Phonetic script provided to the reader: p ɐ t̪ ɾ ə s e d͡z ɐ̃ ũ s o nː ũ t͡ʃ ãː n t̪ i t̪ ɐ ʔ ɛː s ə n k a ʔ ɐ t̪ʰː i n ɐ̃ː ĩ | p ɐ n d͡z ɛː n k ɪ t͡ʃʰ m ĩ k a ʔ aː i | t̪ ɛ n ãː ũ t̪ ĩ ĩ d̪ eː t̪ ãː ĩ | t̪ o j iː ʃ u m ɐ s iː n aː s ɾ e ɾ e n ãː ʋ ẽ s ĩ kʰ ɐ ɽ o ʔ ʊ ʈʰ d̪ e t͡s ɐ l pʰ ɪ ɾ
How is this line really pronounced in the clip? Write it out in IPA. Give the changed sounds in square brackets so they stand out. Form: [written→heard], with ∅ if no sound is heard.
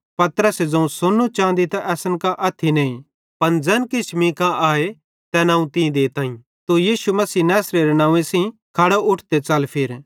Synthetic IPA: p ɐ t̪ ɾ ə s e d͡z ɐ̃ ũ s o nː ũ t͡ʃ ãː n [t̪→d̪] i t̪ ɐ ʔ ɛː s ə n k a ʔ ɐ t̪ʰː i n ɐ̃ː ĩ | p ɐ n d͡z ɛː n k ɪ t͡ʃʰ m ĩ k a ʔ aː [i→e] | t̪ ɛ n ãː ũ t̪ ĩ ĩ d̪ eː t̪ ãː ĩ | t̪ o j iː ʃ u m ɐ s iː n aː s ɾ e ɾ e n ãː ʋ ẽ s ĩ kʰ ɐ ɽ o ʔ ʊ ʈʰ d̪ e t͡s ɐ l pʰ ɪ ɾ